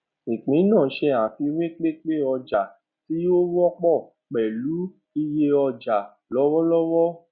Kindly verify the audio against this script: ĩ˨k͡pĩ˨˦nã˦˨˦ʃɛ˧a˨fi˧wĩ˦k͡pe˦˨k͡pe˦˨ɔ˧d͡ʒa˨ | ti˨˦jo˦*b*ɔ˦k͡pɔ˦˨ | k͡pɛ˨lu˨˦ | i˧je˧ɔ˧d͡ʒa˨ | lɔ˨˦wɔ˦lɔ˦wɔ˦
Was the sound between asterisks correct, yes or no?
no